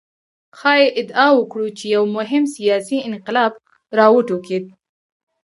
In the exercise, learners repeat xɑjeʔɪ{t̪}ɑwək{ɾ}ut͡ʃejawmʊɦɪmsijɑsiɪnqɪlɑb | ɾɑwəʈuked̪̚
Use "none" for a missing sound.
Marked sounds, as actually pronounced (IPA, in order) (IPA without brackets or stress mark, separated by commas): d̪, ɽ